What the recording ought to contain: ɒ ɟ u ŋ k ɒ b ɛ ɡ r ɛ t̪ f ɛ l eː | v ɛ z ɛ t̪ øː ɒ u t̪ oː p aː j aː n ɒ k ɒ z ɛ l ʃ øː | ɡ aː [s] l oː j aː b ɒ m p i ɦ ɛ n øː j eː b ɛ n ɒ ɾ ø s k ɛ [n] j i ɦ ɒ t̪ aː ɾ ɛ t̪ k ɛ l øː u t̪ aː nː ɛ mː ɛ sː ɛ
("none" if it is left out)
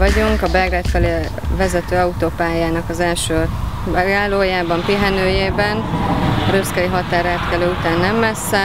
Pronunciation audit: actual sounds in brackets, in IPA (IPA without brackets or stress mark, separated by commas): none, none